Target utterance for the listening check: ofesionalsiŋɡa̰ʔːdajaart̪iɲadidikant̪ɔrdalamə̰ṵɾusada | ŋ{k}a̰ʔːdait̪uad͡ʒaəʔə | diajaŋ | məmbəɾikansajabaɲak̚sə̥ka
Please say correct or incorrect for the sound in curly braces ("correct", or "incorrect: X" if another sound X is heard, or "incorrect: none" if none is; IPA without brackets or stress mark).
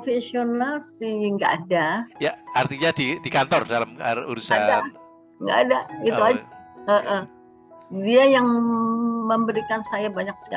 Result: incorrect: ɡ